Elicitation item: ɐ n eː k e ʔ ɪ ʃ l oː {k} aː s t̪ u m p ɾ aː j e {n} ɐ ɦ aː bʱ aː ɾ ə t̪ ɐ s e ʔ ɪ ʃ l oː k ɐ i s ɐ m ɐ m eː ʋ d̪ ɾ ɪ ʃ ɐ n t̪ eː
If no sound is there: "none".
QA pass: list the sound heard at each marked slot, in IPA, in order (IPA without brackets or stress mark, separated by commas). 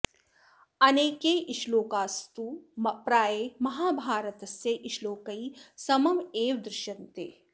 k, m